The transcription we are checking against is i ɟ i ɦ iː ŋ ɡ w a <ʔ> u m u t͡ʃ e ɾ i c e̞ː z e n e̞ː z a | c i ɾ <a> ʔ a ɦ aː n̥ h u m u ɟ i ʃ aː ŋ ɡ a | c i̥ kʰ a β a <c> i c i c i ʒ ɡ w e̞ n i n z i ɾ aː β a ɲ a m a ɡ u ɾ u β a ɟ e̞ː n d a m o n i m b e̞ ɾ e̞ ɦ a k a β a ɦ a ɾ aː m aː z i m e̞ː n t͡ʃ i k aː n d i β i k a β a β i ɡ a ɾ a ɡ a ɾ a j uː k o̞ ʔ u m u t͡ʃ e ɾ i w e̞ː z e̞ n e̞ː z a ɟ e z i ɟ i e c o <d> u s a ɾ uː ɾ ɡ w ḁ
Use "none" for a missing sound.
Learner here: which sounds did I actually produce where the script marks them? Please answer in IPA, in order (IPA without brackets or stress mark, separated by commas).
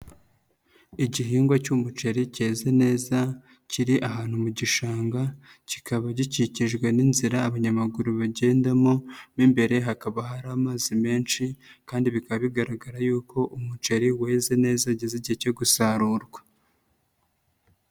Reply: c, i, ɟ, ɡ